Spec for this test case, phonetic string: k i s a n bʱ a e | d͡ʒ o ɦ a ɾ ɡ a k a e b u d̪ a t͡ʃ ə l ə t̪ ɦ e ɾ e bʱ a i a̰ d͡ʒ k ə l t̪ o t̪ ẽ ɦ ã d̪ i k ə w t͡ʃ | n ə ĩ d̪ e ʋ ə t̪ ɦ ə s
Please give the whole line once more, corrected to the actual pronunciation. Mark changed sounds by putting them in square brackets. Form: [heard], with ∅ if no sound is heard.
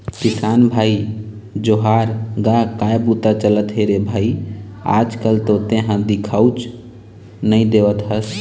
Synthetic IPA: k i s a n bʱ a [i] | d͡ʒ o ɦ a ɾ ɡ a k a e b u [t̪] a t͡ʃ ə l ə t̪ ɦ e ɾ e bʱ a i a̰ d͡ʒ k ə l t̪ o t̪ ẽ ɦ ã d̪ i [kʰ] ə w t͡ʃ | n ə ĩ d̪ e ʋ ə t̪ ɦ ə s